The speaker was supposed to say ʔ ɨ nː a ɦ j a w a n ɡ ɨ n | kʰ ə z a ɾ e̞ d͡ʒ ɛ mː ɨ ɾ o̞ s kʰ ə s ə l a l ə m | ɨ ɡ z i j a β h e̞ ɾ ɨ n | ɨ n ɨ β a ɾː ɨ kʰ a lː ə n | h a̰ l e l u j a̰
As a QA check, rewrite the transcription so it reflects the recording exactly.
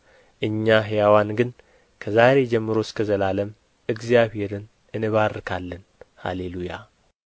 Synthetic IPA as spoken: ʔ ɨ ɲː a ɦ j a w a n ɡ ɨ n | kʰ ə z a ɾ e̞ d͡ʒ ɛ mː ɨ ɾ o̞ s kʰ ə z ə l a l ə m | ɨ ɡ z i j a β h e̞ ɾ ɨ n | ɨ n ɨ β a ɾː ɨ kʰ a lː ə n | h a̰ l e l u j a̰